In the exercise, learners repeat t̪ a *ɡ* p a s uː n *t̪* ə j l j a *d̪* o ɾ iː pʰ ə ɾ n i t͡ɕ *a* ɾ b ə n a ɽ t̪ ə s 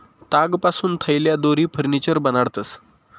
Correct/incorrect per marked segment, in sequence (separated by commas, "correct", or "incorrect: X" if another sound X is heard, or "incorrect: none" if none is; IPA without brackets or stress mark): correct, incorrect: t̪ʰ, correct, incorrect: ə